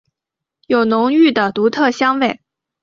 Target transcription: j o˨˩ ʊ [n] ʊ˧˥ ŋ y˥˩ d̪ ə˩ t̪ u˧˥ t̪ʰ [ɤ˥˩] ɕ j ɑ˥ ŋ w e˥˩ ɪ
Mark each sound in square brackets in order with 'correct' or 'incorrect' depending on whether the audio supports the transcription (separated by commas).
correct, correct